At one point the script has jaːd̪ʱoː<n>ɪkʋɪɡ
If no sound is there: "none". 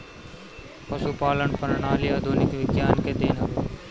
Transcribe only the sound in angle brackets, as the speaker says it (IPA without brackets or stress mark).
n